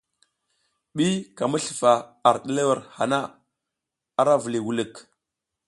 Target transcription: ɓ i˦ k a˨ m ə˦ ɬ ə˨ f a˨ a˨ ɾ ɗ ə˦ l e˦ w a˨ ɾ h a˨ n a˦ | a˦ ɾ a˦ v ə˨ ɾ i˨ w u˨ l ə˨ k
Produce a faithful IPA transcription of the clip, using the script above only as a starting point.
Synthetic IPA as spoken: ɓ i˦ k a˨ m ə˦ ɬ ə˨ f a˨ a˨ ɾ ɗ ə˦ l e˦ w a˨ ɾ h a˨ n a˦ | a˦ ɾ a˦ v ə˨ l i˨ w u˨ l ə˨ k